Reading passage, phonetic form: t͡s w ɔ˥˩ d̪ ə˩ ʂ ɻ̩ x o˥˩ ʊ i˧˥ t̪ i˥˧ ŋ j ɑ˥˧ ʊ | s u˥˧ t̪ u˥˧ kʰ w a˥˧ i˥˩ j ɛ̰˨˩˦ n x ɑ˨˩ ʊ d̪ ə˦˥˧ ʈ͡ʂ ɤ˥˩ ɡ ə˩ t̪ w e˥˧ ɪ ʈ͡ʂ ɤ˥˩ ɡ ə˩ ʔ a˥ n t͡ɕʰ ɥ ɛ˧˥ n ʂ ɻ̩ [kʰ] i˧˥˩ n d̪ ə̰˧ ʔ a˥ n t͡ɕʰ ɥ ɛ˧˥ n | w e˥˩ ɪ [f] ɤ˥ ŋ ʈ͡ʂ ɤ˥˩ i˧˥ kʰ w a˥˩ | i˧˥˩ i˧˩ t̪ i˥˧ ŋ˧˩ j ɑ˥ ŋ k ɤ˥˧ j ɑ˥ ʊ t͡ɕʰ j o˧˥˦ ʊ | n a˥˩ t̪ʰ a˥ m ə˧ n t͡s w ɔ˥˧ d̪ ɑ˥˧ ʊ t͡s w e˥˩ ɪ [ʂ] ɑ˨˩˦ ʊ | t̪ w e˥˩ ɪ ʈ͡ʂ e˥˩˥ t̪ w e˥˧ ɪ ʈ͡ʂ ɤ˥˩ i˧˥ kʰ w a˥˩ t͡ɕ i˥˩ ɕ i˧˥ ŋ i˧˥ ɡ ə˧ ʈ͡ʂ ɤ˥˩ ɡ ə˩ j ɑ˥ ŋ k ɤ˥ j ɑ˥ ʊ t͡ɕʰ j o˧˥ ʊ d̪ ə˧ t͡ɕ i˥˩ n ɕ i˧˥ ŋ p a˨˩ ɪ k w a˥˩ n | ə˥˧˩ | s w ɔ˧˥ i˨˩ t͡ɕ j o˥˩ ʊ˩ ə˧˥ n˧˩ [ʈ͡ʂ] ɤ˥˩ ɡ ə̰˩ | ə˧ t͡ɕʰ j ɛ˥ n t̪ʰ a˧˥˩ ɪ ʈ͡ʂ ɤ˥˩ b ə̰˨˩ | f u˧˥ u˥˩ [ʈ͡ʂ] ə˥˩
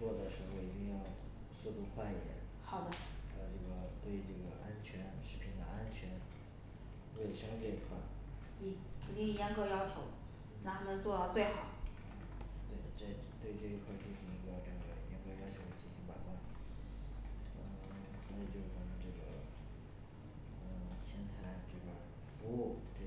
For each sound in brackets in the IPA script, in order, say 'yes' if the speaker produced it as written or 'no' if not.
no, no, no, yes, yes

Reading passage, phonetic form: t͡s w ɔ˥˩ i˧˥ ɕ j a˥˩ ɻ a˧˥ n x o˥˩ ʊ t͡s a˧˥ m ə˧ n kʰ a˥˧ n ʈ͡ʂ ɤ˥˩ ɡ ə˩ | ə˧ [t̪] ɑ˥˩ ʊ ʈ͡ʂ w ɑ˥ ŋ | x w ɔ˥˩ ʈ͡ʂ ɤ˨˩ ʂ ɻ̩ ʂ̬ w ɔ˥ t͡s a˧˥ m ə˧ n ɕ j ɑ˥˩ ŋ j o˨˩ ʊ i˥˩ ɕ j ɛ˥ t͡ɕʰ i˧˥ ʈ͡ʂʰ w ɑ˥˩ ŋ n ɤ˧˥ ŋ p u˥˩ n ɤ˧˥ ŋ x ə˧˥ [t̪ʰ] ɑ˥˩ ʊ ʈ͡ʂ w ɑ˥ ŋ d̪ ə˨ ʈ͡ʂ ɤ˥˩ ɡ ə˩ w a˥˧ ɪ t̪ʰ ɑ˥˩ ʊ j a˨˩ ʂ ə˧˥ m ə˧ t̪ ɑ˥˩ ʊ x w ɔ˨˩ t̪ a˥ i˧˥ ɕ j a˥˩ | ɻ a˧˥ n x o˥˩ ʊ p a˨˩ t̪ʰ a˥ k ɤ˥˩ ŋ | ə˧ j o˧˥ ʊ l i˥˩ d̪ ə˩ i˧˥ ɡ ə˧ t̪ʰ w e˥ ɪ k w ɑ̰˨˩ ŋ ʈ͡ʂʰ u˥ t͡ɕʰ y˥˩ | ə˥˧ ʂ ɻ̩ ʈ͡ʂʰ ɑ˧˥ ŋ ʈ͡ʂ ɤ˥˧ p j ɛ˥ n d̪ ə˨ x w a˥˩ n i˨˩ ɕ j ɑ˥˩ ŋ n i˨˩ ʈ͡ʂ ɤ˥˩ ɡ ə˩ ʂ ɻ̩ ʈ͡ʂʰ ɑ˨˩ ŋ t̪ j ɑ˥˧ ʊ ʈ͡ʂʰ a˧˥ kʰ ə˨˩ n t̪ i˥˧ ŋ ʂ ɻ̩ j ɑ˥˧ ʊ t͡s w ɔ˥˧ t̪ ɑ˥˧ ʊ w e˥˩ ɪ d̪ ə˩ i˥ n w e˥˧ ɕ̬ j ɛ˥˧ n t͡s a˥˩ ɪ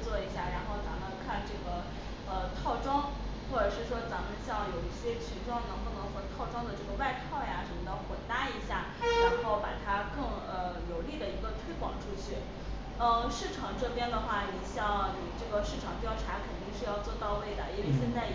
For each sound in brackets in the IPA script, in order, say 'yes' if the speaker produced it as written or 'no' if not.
no, yes

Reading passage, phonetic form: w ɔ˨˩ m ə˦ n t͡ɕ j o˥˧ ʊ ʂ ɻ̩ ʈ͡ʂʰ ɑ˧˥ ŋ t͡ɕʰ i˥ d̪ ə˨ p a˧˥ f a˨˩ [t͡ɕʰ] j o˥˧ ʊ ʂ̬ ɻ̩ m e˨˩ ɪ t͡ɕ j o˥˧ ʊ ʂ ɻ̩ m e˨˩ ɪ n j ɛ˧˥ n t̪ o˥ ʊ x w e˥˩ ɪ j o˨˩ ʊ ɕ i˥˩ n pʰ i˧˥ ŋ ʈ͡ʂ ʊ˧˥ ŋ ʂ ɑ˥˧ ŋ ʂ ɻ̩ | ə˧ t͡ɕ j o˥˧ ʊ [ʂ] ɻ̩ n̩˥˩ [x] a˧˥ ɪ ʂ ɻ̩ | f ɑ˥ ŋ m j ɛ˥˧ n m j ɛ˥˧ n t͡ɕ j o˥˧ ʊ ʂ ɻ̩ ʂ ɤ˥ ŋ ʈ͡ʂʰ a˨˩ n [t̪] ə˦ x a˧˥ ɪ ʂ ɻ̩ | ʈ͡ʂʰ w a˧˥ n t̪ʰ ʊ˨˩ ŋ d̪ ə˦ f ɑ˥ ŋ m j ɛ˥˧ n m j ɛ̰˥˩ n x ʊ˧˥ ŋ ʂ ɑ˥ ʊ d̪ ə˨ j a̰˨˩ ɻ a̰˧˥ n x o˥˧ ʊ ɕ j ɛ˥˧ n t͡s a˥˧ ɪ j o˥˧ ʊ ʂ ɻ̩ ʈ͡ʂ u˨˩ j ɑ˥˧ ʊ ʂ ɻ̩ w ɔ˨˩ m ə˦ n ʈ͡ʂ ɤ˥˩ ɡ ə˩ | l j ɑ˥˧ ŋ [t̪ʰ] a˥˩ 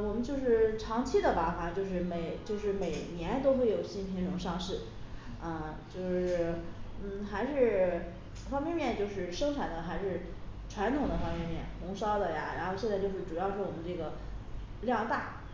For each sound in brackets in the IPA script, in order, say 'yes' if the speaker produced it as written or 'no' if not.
no, yes, yes, no, no

